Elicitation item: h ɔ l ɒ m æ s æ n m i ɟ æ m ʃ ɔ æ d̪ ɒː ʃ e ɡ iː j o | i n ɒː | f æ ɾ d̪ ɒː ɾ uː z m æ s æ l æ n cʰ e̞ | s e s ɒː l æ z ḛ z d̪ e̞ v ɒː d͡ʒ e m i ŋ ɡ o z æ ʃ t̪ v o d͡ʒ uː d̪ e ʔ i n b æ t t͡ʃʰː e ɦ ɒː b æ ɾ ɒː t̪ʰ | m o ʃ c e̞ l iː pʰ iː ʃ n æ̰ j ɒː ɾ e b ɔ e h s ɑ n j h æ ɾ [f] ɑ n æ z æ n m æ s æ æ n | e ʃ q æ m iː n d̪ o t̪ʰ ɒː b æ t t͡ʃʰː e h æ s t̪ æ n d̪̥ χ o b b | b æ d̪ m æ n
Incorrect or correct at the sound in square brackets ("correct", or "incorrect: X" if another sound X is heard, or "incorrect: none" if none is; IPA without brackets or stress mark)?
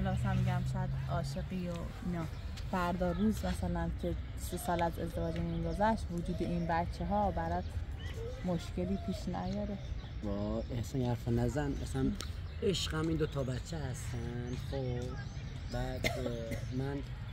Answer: correct